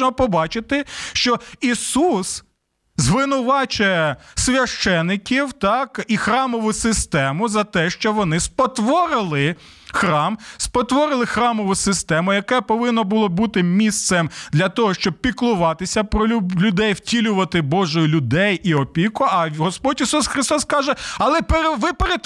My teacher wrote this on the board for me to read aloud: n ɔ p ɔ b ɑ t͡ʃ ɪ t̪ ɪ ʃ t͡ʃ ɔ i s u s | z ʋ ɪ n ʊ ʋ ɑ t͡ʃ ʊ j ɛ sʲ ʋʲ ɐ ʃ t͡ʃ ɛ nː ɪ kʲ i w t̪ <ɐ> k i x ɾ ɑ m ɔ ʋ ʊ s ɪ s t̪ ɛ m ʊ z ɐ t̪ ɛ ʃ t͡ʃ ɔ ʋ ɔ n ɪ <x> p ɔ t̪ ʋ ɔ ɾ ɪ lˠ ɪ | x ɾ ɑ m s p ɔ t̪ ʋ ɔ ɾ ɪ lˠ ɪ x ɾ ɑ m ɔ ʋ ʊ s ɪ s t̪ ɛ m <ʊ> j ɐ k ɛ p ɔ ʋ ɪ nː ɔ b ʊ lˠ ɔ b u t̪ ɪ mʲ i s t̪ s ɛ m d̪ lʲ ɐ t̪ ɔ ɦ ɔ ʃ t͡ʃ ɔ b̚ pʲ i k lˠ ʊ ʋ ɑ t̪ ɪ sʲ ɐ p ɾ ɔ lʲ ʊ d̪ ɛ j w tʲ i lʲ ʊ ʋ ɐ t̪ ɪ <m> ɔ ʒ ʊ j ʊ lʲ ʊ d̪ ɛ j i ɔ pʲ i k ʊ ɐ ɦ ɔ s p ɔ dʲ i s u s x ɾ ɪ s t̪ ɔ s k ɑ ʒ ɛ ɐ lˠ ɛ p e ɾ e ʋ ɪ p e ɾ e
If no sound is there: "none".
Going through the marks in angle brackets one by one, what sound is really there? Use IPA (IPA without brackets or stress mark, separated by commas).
ɑ, s, ʊ, b